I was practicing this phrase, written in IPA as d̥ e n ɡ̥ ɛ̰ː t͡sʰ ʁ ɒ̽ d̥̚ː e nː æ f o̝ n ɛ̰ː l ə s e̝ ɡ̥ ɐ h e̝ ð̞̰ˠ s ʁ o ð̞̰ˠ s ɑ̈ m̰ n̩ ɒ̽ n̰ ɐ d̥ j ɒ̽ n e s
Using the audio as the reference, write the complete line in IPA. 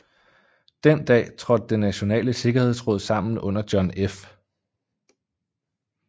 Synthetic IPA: d̥ e n d̥ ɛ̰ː t͡sʰ ʁ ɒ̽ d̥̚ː e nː æ ɕ o̝ n ɛ̰ː l ə s e̝ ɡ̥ ɐ h e̝ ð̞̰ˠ s ʁ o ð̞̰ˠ s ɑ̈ m̰ n̩ ɔ̽ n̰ ɐ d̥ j ɒ̽ n e f